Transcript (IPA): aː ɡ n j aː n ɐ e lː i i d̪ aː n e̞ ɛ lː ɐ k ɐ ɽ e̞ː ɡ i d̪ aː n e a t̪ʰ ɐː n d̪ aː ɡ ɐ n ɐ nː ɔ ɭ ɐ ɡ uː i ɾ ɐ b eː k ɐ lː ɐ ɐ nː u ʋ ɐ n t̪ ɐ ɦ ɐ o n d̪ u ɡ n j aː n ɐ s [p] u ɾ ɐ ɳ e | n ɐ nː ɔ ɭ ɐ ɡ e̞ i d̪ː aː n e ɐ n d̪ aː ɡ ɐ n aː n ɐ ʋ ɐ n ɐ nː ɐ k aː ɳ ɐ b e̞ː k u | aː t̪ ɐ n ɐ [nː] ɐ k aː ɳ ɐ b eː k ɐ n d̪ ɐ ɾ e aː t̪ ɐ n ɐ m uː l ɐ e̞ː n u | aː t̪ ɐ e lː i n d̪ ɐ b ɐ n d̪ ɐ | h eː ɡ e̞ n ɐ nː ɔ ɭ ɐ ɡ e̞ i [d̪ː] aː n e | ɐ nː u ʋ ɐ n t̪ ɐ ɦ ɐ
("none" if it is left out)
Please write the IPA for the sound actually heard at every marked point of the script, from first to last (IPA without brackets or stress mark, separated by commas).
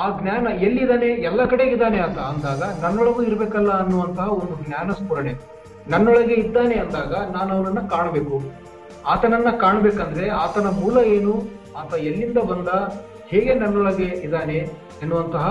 p, nː, d̪